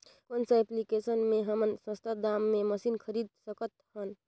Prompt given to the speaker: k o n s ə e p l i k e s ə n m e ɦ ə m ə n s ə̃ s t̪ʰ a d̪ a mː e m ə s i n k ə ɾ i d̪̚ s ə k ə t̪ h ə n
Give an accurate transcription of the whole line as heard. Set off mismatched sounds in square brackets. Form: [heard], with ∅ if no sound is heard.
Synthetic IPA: k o n s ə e p l i k e s ə n m e ɦ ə m ə n s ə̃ s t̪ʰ a d̪ a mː e m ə s i n [kʰ] ə ɾ i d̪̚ s ə k ə t̪ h ə n